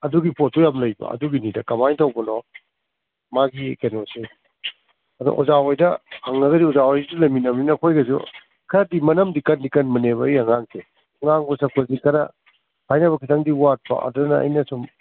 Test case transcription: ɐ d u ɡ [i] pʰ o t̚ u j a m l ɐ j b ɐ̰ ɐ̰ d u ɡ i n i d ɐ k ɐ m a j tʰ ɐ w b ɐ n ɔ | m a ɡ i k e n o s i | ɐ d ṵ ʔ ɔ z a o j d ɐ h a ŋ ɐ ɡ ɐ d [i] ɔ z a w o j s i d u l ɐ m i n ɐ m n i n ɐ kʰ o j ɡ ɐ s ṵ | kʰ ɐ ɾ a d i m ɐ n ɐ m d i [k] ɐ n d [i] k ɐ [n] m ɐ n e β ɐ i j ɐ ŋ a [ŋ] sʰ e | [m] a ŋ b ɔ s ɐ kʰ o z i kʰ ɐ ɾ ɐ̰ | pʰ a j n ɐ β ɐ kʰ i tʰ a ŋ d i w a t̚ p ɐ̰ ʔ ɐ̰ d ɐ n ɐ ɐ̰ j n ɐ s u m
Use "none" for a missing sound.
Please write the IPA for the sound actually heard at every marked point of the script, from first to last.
i, i, k, i, n, ŋ, ŋ

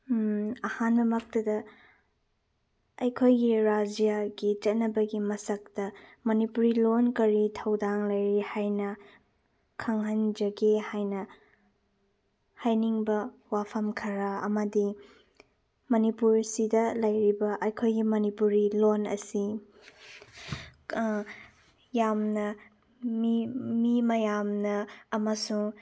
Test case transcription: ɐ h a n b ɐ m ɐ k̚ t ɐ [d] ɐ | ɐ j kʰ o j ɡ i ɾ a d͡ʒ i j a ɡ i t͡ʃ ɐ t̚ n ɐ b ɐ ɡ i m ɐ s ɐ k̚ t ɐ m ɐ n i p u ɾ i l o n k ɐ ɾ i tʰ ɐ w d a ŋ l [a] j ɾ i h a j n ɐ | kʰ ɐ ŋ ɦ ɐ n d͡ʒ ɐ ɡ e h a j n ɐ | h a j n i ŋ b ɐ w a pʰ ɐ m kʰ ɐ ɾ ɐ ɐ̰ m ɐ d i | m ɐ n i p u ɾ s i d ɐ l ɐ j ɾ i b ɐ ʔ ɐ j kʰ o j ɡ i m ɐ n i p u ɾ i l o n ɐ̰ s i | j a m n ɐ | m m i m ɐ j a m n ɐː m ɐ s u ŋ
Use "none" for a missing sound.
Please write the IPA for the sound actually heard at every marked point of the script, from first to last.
d, ɐ

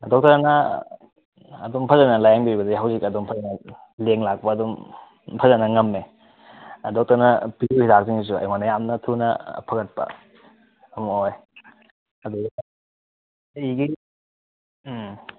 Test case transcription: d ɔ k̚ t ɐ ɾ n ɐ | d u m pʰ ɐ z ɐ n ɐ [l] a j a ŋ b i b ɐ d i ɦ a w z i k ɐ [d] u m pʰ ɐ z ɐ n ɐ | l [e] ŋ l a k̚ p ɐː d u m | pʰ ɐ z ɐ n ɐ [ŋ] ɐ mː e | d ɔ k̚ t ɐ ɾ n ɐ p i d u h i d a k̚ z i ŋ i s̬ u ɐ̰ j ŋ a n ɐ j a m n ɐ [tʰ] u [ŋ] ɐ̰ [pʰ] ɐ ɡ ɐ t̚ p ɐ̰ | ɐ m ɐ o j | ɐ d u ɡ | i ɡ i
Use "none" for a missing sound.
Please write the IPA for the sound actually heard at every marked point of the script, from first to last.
l, d, e, ŋ, tʰ, n, pʰ

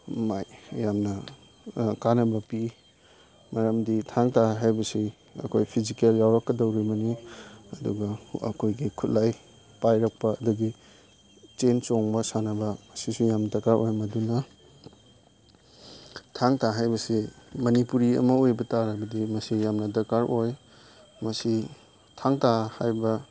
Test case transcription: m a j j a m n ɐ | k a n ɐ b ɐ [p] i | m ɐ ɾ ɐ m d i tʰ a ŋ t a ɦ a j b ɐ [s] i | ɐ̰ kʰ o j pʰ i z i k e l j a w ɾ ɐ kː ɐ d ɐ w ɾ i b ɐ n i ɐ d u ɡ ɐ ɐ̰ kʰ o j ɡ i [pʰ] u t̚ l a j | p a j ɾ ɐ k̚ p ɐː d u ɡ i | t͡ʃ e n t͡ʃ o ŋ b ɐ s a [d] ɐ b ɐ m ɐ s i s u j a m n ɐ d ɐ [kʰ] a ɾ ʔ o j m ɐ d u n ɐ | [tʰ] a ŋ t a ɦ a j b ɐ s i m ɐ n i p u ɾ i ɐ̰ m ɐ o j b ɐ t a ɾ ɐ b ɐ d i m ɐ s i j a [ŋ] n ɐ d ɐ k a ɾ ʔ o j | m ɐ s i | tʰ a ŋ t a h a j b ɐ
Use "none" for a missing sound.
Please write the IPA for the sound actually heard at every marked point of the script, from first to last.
p, s, kʰ, n, k, tʰ, m

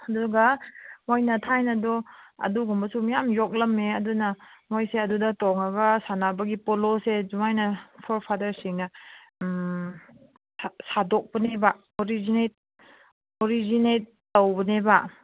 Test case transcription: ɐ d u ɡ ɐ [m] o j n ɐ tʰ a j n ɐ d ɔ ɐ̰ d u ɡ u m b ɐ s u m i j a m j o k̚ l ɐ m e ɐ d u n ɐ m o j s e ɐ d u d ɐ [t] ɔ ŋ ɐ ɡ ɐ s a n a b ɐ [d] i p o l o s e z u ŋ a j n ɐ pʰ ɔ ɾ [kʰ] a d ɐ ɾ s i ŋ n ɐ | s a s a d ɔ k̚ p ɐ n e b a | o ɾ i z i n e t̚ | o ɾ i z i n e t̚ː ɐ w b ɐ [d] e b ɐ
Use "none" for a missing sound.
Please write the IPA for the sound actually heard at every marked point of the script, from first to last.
m, t, ɡ, pʰ, n

